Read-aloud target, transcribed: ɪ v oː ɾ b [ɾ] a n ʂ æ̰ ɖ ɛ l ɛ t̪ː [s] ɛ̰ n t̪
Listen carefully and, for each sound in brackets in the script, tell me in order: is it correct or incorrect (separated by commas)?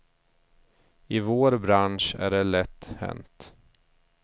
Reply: correct, incorrect